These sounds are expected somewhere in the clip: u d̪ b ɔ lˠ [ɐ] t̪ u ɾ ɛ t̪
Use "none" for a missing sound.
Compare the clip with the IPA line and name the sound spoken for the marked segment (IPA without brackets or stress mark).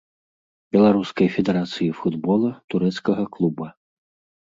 ɐ